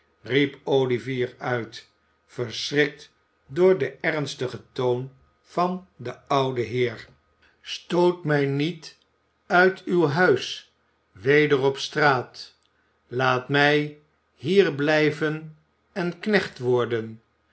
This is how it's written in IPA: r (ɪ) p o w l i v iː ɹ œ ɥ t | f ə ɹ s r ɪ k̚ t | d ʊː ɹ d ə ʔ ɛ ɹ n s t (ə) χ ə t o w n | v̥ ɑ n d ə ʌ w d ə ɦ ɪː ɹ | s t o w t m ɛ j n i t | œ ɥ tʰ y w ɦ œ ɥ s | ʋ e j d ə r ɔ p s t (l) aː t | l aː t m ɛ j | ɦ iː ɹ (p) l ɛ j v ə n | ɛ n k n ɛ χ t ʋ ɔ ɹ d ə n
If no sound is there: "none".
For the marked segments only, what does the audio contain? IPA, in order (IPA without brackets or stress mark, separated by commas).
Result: i, ə, r, b